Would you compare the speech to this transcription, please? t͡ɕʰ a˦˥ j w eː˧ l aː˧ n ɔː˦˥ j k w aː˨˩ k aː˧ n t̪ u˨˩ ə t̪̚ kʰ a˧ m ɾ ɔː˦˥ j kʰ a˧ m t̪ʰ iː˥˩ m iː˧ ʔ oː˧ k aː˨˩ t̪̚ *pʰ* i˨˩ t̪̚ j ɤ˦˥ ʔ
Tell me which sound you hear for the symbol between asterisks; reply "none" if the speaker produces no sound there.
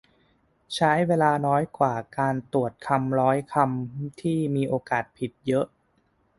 pʰ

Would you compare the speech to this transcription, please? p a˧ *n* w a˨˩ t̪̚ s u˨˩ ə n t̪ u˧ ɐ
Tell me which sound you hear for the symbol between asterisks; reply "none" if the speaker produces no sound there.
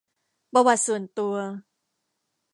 none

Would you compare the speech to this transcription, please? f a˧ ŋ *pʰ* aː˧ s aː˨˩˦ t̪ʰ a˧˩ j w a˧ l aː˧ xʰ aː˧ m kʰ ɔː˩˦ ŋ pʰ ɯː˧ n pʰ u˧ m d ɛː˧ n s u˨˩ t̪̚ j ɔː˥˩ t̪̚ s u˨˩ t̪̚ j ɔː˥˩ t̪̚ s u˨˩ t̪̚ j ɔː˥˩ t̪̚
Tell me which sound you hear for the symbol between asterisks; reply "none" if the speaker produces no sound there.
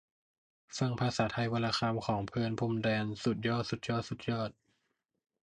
pʰ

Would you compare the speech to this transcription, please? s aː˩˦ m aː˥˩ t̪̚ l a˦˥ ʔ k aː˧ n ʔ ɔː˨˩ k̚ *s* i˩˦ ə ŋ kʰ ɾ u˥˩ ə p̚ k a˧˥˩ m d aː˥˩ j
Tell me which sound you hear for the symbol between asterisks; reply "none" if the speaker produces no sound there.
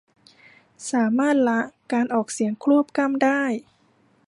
s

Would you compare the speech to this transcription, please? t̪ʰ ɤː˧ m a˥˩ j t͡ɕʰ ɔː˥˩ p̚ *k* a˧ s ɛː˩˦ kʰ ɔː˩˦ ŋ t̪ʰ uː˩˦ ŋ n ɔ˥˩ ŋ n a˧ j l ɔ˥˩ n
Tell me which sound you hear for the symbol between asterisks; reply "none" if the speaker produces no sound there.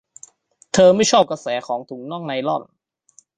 k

